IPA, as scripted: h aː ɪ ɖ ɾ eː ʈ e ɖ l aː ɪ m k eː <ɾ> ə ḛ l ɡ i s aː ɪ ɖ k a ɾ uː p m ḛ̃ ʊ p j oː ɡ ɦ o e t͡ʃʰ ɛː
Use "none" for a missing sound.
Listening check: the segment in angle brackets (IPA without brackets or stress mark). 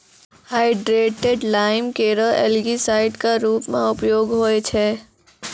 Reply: ɾ